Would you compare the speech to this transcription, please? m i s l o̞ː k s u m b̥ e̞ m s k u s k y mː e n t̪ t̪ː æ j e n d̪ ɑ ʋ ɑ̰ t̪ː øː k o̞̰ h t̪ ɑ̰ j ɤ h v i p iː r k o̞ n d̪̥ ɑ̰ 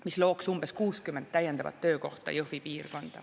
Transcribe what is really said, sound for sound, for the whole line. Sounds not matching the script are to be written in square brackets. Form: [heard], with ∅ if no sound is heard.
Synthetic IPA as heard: m i s l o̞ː k s u m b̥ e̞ [∅] s k [uː] s k y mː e n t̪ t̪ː æ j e n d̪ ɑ [v] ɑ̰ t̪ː øː k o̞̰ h t̪ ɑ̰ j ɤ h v i p iː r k o̞ n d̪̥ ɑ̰